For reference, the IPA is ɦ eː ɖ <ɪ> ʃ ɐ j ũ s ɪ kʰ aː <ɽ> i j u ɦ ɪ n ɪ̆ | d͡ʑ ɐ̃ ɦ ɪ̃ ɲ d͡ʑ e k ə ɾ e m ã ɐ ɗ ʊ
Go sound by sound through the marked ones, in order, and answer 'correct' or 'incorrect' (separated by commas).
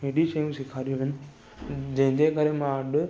incorrect, incorrect